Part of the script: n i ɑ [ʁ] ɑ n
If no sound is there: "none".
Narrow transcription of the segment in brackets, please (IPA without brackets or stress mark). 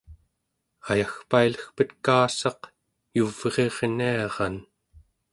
ʁ